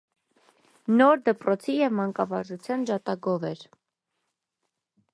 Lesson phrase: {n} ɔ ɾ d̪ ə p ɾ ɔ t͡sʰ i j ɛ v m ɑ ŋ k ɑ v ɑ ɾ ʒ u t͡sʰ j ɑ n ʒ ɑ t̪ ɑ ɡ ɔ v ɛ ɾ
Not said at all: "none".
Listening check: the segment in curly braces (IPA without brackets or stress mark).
n